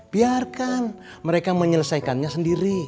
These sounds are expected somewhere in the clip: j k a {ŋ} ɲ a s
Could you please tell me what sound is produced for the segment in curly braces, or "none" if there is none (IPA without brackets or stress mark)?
n